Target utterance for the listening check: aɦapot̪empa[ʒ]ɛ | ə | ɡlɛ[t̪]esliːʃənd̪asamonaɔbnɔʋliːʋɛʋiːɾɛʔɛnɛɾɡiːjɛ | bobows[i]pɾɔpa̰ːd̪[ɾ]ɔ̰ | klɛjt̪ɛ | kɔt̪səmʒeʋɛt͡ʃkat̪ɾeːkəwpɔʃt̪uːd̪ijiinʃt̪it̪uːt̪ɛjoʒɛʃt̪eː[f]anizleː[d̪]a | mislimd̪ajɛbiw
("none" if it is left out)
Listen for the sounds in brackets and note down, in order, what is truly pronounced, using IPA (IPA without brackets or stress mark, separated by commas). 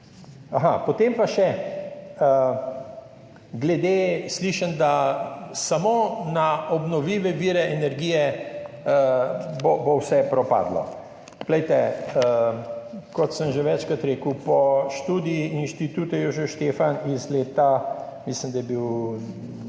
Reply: ʃ, d̪, ɛ, l, f, t̪